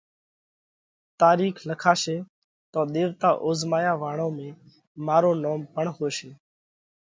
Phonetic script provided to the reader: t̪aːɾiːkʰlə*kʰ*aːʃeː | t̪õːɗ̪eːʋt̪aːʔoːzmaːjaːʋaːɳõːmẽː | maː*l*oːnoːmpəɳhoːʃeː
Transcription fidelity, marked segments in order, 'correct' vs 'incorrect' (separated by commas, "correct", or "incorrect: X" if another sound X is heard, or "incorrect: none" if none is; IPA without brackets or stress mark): correct, incorrect: ɾ